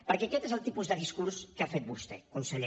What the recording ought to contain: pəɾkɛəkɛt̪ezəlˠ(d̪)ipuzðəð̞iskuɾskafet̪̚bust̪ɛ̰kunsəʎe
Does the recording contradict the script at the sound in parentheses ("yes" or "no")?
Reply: yes